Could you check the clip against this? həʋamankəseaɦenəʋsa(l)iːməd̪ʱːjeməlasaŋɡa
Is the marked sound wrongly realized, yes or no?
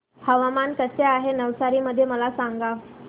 yes